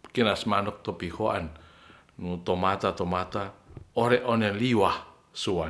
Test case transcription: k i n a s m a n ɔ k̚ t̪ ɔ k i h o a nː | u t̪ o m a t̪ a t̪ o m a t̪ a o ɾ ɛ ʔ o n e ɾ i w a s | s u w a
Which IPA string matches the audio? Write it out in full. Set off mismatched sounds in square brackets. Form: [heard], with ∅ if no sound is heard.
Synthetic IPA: k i n a s m a n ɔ k̚ t̪ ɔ [p] i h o a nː | u t̪ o m a t̪ a t̪ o m a t̪ a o ɾ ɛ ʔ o n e [l] i w a [h] | s u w a

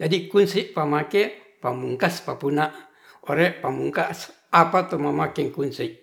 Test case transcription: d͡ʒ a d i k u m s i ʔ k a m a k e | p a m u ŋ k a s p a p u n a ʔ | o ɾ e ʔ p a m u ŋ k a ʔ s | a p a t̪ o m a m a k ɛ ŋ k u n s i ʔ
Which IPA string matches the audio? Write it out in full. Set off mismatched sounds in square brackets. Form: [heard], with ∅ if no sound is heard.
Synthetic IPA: d͡ʒ a d i k u [n] s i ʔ [p] a m a k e | p a m u ŋ k a s p a p u n a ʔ | o ɾ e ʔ p a m u ŋ k a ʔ s | a p a t̪ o m a m a k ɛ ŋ k u n s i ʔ

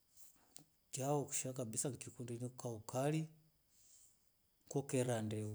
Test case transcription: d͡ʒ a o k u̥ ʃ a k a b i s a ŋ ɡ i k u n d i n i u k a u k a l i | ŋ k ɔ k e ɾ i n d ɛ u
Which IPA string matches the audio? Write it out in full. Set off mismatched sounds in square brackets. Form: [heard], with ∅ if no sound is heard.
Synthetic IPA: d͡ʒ a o k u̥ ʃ a k a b i s a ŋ [k] i k u n d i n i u k a u k a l i | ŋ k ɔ k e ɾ [a] n d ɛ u

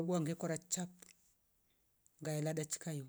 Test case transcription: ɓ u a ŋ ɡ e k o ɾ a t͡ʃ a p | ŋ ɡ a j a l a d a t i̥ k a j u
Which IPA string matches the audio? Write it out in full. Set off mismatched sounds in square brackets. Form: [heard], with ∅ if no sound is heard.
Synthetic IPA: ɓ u a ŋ ɡ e k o ɾ a t͡ʃ a p | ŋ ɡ a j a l a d a [t͡ʃ] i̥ k a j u

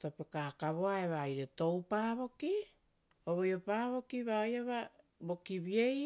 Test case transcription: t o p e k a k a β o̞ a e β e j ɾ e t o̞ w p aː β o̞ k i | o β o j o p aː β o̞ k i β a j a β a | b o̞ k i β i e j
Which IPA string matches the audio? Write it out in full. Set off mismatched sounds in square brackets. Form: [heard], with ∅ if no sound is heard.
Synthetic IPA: t o p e k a k a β o̞ a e β [a] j ɾ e t o̞ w p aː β o̞ k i | o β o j o p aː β o̞ k i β a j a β a | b o̞ k i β i e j

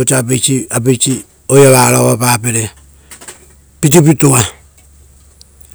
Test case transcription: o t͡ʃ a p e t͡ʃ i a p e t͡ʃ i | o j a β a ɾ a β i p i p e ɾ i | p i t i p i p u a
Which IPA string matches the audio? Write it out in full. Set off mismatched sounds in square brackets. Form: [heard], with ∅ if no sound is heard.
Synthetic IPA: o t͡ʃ a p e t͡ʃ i a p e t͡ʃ i | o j a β a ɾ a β [a] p [a] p e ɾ [e] | p i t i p i [t] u a

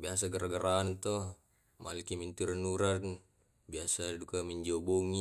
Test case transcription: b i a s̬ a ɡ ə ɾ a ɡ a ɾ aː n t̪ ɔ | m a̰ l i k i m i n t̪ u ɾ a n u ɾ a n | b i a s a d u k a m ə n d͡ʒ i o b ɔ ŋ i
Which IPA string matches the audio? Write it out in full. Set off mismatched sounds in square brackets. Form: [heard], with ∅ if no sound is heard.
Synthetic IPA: b i a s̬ a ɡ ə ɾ a ɡ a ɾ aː n t̪ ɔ | m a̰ l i k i m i n t̪ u ɾ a n u ɾ a n | b i a s a d u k a m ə [ɲ] d͡ʒ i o b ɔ ŋ i

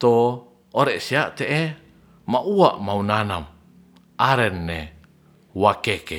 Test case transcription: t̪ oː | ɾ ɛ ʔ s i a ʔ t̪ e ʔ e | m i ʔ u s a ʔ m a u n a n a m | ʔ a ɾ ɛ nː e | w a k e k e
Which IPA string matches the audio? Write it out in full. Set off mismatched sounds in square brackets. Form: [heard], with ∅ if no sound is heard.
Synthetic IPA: t̪ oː | ɾ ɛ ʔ s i a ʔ t̪ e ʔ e | m [a] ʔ u [∅] a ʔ m a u n a n a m | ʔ a ɾ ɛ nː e | w a k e k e

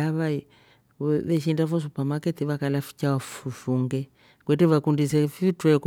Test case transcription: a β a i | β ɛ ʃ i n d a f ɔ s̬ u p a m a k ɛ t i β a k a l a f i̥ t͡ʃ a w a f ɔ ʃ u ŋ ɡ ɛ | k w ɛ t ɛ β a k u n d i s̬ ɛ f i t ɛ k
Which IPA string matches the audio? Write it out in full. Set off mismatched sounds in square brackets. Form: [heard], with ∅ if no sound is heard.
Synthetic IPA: a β a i | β ɛ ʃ i n d a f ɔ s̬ u p a m a k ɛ t i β a k a l a f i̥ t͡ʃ a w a f [u] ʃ u ŋ ɡ ɛ | k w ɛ t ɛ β a k u n d i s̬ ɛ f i t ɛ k

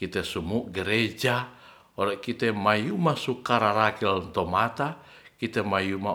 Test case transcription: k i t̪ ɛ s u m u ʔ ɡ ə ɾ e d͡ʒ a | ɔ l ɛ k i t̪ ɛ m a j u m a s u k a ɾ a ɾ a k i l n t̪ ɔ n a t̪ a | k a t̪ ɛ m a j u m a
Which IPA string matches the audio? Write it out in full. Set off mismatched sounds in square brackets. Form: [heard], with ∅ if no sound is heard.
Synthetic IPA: k i t̪ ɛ s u m u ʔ ɡ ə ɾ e d͡ʒ a | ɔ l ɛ k i t̪ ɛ m a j u m a s u k a ɾ a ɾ a k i l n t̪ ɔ [m] a t̪ a | k [i] t̪ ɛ m a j u m a

